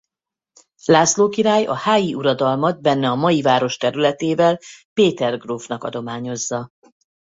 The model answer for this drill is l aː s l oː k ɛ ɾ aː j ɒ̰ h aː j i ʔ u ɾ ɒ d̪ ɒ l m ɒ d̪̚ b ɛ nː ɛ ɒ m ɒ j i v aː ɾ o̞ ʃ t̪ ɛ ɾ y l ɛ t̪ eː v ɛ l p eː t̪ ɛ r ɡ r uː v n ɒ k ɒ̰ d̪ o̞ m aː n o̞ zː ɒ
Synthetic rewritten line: l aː s l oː k i ɾ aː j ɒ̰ h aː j i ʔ u ɾ ɒ d̪ ɒ l m ɒ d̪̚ b ɛ nː ɛ ɒ m ɒ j i v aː ɾ o̞ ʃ t̪ ɛ ɾ y l ɛ t̪ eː v ɛ l p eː t̪ ɛ r ɡ r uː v n ɒ k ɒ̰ d̪ o̞ m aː ɲ o̞ zː ɒ